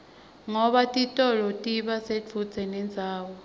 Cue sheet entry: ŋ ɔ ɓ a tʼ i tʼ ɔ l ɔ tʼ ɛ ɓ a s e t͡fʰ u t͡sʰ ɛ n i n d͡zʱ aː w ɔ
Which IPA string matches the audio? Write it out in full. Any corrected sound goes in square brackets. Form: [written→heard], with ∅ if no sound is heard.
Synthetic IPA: ŋ ɔ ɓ a tʼ i tʼ ɔ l ɔ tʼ [ɛ→i] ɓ a s e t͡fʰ u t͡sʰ ɛ n [i→ɛ] n d͡zʱ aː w ɔ